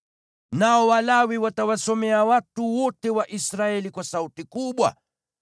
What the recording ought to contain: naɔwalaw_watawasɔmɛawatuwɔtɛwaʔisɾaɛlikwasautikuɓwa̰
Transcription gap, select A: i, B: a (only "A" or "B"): A